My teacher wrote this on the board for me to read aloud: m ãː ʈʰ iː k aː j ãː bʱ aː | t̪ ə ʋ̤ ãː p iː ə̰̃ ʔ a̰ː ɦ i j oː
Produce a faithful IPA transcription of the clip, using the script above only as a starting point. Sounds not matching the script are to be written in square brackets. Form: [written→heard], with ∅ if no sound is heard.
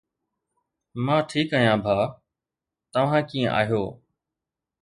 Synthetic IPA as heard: m ãː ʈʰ iː k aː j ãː bʱ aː | t̪ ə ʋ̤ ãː [p→k] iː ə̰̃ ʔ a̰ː ɦ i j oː